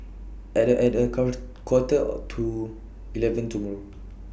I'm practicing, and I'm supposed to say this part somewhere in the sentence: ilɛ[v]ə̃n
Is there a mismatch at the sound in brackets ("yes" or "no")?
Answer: no